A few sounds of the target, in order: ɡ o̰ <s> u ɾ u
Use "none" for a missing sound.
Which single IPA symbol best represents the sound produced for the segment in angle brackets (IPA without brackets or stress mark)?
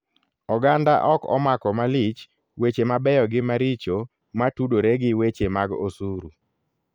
s